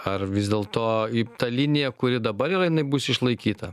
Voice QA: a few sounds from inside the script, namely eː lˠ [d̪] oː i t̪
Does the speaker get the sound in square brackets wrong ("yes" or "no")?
yes